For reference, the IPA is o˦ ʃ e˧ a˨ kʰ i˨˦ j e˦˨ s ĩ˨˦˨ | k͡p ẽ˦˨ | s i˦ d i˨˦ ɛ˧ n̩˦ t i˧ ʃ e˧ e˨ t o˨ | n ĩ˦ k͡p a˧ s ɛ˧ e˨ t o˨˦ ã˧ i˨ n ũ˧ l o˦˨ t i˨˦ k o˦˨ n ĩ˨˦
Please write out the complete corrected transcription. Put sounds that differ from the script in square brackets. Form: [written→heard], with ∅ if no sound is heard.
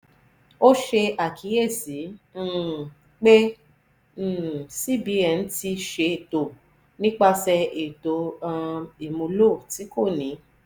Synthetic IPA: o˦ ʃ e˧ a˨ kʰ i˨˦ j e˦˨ s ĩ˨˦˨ | k͡p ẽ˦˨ | s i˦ [d→b] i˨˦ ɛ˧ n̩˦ t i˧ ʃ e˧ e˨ t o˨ | n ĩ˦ k͡p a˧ s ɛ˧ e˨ t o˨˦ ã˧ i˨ [n→m] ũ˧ l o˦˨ t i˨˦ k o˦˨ n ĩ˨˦